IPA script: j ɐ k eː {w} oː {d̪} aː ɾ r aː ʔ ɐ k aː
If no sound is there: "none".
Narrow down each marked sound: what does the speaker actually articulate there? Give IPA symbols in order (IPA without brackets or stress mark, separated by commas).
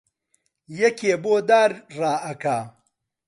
b, d̪